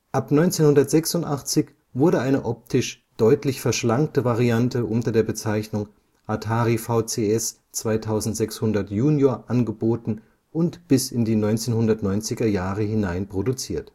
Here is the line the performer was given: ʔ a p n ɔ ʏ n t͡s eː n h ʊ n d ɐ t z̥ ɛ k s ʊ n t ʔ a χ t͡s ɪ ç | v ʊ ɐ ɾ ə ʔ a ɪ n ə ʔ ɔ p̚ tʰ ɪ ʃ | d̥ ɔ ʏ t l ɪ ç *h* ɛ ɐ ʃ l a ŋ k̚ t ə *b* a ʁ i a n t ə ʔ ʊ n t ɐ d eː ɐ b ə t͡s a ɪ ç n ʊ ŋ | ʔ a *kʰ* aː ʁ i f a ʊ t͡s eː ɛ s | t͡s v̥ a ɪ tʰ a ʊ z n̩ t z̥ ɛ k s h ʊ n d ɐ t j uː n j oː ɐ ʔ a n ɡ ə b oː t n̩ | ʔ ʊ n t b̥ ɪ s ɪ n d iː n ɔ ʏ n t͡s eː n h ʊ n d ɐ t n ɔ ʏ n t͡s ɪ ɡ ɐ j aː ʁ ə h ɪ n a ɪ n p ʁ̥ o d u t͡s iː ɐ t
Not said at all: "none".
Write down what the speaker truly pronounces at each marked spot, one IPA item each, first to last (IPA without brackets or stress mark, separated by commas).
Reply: f, v, tʰ